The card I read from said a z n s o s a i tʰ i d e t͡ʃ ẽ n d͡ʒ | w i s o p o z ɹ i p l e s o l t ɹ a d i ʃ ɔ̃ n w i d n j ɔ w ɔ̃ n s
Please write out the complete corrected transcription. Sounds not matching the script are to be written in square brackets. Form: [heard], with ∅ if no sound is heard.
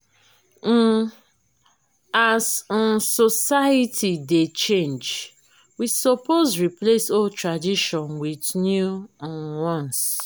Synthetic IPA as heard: a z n s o s a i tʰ i d e t͡ʃ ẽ n d͡ʒ | w i s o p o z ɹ i p l e s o l t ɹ a d i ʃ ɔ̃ n w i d n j [u] w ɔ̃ n s